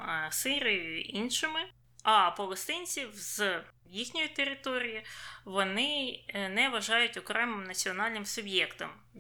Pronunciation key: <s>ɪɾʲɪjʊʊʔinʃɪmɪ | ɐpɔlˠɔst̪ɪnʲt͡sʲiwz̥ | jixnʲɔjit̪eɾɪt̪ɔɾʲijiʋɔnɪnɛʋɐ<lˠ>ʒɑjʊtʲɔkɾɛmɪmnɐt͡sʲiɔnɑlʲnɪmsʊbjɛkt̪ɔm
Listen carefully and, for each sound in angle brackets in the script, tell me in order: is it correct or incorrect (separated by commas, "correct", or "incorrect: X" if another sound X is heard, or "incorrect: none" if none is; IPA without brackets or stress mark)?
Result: correct, incorrect: none